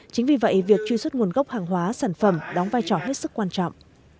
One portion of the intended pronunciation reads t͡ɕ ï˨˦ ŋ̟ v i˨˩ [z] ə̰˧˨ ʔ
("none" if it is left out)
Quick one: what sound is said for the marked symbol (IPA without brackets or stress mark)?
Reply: v